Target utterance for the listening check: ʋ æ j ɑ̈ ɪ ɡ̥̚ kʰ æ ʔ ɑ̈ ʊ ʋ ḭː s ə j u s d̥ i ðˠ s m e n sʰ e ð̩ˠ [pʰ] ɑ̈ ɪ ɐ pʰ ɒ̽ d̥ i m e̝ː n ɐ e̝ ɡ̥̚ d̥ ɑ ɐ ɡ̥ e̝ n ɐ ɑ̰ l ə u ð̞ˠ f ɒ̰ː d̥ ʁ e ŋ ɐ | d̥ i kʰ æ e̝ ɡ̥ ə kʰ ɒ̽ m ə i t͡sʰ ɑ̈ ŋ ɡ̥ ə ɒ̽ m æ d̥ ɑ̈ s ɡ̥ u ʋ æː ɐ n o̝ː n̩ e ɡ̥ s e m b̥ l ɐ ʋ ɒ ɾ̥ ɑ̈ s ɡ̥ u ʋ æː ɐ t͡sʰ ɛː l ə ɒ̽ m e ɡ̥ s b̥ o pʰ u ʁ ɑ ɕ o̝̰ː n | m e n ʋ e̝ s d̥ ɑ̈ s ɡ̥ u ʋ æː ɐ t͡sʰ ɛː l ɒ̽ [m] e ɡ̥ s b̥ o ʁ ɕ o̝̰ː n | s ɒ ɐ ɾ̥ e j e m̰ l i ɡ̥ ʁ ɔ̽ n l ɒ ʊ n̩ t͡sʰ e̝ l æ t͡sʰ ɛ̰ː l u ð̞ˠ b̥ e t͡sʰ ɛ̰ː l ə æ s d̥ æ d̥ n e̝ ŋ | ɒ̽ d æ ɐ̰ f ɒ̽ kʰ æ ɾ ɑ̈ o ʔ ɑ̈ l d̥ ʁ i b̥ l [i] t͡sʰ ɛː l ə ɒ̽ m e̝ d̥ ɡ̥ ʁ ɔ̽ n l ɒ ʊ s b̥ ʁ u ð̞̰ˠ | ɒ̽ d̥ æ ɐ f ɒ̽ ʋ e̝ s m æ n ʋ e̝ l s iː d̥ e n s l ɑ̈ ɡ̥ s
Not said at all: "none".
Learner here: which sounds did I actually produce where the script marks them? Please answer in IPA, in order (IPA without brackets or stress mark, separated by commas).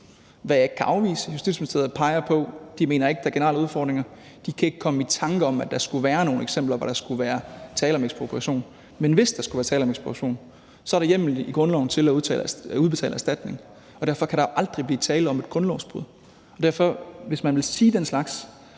pʰ, m, iː